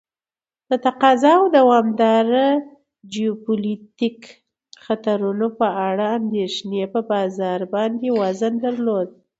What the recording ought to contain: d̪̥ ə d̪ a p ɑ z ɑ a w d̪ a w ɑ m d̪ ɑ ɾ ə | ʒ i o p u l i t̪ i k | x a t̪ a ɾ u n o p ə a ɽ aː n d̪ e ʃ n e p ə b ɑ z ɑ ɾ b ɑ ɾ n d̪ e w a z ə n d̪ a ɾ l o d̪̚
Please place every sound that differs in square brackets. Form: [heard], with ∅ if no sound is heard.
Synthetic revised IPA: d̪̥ ə [t̪] a [q] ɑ z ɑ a w d̪ a w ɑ m d̪ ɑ ɾ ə | [d͡ʒ] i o p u l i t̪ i k | x a t̪ a ɾ u n o p ə a ɽ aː n d̪ e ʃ n e p ə b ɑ z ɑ ɾ b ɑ [∅] n d̪ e w a z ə n d̪ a ɾ l o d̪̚

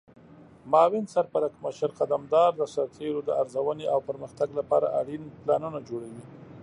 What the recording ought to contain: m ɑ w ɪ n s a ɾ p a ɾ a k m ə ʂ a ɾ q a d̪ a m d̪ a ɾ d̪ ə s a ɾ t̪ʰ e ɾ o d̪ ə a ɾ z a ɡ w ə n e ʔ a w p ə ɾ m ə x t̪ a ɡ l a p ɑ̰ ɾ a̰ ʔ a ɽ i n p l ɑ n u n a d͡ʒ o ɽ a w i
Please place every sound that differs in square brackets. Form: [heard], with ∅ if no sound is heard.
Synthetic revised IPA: m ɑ w ɪ n s a ɾ p a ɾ a k m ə [ʃ] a ɾ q a d̪ a m d̪ [ɑ] ɾ d̪ ə s a ɾ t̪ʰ e ɾ o d̪ ə a ɾ z a [∅] w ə n e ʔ a w p ə ɾ m ə x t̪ a ɡ l a p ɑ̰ ɾ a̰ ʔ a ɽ i n p l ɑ n u n a d͡ʒ o ɽ a w i

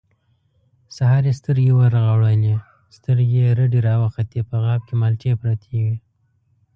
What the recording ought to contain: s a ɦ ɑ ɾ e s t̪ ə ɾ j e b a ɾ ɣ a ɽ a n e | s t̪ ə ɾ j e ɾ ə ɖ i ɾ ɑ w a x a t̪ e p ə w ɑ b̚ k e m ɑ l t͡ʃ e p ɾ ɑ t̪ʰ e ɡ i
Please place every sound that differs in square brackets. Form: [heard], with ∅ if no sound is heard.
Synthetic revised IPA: s a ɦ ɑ ɾ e s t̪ ə ɾ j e [w] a ɾ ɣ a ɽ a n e | s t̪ ə ɾ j e ɾ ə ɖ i ɾ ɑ w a x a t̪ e p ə [ɣ] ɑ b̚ k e m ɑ l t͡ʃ e p ɾ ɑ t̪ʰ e ɡ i

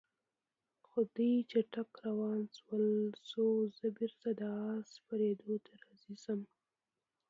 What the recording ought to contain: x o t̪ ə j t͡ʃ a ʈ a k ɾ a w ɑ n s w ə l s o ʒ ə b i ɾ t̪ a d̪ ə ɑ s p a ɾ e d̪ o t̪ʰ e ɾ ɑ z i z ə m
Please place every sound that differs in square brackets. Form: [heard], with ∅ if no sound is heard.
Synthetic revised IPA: x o [d̪] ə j t͡ʃ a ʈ a k ɾ a w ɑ n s w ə l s o [z] ə b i ɾ t̪ a d̪ ə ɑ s p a ɾ e d̪ o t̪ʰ [a] ɾ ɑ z i z ə m

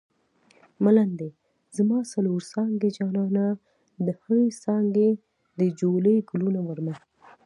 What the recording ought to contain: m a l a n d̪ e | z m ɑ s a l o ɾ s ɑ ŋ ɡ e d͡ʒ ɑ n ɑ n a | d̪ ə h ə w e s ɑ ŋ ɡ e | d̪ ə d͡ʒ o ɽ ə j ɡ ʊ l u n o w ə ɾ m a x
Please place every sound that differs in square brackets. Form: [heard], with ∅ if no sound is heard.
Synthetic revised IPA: m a l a n d̪ e | z m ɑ s a l o ɾ s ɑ ŋ ɡ e d͡ʒ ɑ n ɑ n a | d̪ ə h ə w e s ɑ ŋ ɡ e | d̪ ə d͡ʒ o [l] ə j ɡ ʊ l u n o w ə ɾ m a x

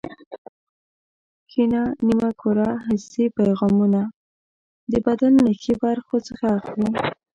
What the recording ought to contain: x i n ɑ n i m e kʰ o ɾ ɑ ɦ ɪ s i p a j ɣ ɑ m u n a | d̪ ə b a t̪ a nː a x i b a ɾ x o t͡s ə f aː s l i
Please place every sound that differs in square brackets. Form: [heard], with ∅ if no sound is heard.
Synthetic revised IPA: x i n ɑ n i m [a] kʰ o ɾ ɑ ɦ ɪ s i p a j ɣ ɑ m u n a | d̪ ə b a [d̪] a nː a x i b a ɾ x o t͡s ə [x] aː [x] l i

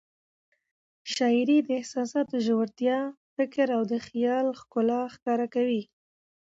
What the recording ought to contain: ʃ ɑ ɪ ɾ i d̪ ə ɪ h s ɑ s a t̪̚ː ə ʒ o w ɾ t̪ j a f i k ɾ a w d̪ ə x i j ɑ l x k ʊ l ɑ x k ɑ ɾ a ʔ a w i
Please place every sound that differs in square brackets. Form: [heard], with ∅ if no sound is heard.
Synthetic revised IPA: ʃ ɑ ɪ ɾ i d̪ ə ɪ h s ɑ s [ɑ] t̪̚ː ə ʒ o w ɾ t̪ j [ɑ] f [ɪ] k ɾ a w d̪ ə x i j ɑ l x k ʊ l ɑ x k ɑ ɾ a [k] a w i

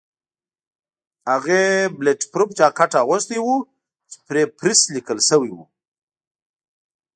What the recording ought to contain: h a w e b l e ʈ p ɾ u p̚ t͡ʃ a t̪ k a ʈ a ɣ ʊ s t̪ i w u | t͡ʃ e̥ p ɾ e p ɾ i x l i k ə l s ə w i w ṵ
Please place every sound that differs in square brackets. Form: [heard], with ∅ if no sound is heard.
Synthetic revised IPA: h a [ɣ] e b l e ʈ p ɾ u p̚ t͡ʃ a [∅] k a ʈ a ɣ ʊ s t̪ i w u | t͡ʃ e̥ p ɾ e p ɾ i [s] l i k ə l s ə w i w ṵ

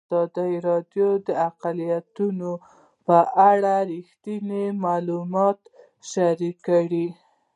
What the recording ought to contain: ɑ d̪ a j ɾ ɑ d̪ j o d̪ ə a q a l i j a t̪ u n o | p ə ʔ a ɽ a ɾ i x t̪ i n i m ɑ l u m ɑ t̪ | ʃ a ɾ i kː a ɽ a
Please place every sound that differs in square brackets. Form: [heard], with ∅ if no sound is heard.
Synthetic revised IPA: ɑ d̪ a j ɾ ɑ d̪ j o d̪ ə a q a l i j a t̪ u n o | p ə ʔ a ɽ a ɾ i x t̪ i n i m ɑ l u m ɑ t̪ | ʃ a ɾ i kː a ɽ [i]

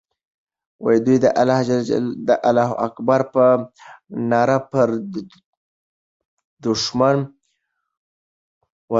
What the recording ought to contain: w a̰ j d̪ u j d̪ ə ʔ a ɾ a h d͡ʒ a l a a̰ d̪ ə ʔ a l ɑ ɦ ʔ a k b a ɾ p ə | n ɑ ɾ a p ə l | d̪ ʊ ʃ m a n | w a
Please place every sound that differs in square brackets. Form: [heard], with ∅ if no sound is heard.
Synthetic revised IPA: w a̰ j d̪ u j d̪ ə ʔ a [l] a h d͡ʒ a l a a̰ d̪ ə ʔ a l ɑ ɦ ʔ a k b a ɾ p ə | n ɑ ɾ a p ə [ɾ] | d̪ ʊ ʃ m a n | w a

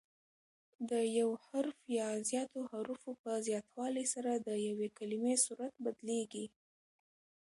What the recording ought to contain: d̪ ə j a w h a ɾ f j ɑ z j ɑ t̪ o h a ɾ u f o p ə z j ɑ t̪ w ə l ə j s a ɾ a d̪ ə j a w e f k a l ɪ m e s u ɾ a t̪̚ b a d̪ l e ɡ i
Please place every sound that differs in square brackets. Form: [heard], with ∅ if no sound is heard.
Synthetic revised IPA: d̪ ə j a w h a ɾ f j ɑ z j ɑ t̪ o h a ɾ u f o p ə z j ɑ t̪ w [ɑ] l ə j s a ɾ a d̪ ə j a w e [∅] k a l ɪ m e s u ɾ a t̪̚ b a d̪ l e ɡ i

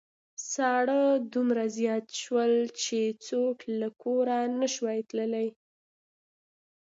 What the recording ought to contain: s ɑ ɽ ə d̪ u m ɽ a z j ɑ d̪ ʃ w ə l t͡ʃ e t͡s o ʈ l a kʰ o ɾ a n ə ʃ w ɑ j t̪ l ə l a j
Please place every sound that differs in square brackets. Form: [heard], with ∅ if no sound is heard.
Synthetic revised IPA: s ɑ ɽ ə d̪ u m [ɾ] a z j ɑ [t̪] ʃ w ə l t͡ʃ e t͡s o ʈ l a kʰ o ɾ a n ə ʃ w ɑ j t̪ l ə l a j

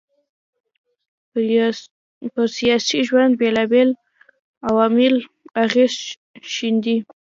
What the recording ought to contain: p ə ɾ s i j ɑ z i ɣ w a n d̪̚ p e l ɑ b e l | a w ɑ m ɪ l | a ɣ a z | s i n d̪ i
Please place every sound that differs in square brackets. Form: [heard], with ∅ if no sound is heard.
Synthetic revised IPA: p ə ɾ s i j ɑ [s] i [ʒ] w a n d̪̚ [b] e l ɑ b e l | a w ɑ m ɪ l | a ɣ [e] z | [ʃ] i n d̪ i

